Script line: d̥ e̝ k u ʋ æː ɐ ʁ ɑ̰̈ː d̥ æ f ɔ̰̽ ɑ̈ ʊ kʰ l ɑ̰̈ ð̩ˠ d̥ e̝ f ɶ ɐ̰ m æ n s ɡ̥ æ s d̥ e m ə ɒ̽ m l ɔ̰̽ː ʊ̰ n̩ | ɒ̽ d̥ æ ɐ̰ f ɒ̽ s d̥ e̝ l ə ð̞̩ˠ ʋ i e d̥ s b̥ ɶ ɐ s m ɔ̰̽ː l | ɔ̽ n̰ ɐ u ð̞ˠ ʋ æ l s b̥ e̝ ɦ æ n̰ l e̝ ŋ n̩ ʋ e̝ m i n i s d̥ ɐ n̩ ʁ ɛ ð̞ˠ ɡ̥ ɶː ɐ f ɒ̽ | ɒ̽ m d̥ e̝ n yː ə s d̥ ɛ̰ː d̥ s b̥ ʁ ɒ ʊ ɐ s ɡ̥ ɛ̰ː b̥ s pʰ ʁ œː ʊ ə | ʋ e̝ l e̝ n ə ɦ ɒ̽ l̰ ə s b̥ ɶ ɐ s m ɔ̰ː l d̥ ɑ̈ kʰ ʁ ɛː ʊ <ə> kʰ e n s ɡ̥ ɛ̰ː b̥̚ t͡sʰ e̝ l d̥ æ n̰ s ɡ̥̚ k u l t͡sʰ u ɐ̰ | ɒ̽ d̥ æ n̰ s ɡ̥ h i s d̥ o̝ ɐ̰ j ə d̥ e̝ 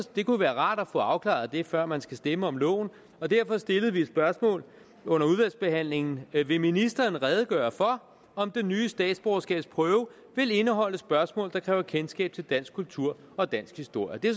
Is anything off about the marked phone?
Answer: yes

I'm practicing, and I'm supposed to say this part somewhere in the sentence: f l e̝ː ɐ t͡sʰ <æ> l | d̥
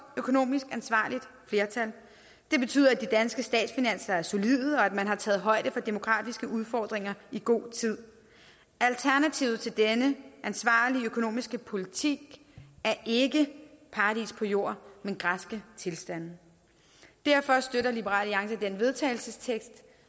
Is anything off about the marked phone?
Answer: no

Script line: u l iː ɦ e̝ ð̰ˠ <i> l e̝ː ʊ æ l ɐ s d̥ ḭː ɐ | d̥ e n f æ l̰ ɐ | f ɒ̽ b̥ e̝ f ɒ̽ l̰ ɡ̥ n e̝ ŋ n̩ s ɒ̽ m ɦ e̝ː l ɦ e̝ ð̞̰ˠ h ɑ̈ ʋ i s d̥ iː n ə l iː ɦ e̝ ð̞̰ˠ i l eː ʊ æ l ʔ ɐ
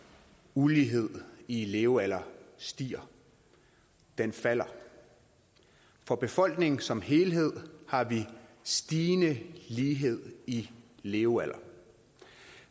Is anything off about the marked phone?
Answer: no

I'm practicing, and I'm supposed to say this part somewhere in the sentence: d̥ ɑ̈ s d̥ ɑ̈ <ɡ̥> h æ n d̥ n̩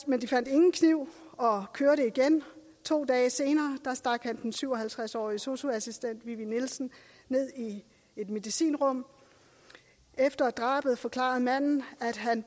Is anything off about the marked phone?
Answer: no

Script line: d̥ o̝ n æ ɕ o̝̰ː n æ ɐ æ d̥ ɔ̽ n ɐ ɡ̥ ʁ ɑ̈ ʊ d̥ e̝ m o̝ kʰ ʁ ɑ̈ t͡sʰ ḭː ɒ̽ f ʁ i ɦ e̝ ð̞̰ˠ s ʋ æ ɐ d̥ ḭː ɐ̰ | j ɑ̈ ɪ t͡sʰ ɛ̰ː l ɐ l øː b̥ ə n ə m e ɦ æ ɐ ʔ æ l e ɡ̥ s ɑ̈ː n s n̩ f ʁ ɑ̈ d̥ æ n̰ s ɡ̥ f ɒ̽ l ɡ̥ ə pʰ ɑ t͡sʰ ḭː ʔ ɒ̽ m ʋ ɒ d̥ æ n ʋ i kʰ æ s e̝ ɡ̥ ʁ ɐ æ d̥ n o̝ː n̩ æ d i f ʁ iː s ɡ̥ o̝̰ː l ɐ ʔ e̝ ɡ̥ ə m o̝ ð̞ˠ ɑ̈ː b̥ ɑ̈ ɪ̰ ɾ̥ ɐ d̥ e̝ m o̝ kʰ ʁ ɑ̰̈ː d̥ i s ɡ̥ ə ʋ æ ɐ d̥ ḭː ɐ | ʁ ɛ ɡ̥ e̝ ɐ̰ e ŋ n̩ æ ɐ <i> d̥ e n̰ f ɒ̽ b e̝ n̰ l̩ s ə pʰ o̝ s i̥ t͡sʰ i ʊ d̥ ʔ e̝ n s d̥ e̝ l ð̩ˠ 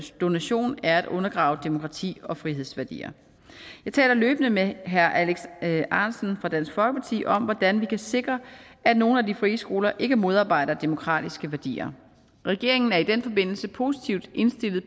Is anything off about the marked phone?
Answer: no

